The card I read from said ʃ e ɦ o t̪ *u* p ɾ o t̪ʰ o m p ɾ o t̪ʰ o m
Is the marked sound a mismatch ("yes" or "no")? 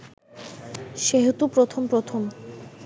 no